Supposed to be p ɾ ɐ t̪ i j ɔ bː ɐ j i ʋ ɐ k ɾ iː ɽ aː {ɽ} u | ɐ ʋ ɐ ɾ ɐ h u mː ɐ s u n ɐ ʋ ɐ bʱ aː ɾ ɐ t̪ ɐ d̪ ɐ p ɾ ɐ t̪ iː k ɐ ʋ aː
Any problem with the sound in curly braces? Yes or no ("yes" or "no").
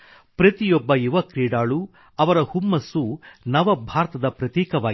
yes